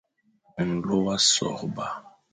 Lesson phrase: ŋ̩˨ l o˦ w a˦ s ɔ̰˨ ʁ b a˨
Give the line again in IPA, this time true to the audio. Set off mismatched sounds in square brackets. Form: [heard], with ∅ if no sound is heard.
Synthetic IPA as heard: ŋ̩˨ l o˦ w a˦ s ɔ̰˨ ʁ b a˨